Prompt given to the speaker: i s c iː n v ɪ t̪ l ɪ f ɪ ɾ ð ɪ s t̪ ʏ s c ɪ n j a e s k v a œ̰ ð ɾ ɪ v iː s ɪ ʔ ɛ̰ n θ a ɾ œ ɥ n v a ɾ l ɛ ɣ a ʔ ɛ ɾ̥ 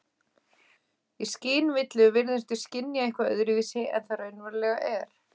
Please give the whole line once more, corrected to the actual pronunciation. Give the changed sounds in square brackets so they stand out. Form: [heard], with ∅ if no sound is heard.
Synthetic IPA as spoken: i s c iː n v ɪ t̪ l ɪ [v] ɪ ɾ ð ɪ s t̪ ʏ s c ɪ n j a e [h] k v a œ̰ ð ɾ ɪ v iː s ɪ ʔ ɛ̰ n θ a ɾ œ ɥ n v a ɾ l ɛ ɣ a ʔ ɛ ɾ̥